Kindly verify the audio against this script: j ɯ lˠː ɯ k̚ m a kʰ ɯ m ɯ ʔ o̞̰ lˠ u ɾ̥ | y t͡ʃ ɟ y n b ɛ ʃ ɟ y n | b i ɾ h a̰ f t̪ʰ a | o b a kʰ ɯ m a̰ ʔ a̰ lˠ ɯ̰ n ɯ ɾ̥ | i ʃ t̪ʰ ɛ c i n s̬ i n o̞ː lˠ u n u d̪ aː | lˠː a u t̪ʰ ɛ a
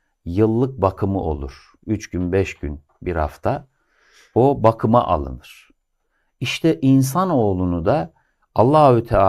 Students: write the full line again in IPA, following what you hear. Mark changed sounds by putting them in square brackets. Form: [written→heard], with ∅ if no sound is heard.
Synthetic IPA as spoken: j ɯ lˠː ɯ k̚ [m→b] a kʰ ɯ m ɯ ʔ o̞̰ lˠ u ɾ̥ | y t͡ʃ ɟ y n b ɛ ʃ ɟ y n | b i ɾ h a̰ f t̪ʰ a | o b a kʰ ɯ m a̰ ʔ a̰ lˠ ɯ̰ n ɯ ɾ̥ | i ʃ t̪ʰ ɛ [c→ʔ] i n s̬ [i→a] n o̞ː lˠ u n u d̪ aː | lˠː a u t̪ʰ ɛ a